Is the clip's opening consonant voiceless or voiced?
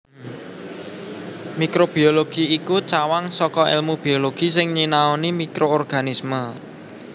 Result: voiced